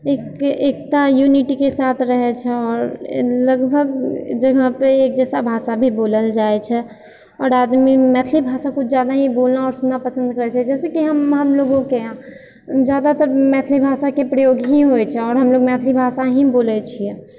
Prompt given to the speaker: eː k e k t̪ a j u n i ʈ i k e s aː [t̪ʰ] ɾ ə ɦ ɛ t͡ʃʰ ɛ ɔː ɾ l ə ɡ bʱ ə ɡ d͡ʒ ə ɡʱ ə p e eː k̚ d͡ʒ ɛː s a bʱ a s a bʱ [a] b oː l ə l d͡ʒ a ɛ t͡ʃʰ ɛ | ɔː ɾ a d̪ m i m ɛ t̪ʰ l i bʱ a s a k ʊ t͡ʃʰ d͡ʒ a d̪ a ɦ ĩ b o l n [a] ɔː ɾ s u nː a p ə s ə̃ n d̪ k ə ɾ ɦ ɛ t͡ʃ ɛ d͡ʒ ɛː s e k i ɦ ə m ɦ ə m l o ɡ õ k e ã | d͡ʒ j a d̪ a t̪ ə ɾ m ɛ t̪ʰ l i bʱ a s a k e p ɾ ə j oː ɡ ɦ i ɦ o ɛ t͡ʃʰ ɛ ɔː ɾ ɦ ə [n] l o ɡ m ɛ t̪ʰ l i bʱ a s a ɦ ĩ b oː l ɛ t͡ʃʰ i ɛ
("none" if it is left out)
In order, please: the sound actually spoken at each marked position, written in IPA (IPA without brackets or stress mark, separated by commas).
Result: t̪ʰ, i, a, m